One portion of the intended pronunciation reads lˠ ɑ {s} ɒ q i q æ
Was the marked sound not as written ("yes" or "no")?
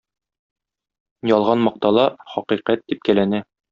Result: yes